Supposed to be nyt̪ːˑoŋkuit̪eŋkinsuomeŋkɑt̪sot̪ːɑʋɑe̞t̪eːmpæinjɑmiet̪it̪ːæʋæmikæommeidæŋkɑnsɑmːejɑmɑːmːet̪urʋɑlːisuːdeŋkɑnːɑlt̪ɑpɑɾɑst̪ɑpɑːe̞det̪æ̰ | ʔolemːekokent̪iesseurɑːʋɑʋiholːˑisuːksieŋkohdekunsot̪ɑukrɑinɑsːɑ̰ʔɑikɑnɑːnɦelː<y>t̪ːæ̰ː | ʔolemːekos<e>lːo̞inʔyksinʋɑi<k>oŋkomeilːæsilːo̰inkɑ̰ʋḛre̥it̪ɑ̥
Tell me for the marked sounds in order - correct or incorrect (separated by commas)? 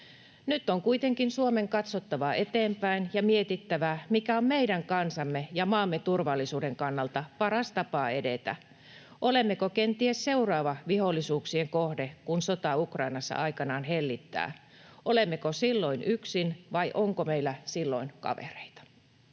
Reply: incorrect, incorrect, incorrect